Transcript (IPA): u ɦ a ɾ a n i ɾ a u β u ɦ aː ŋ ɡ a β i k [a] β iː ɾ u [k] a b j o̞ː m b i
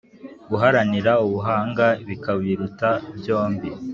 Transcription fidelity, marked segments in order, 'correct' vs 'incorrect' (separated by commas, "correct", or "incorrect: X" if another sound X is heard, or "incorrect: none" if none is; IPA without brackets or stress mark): correct, incorrect: t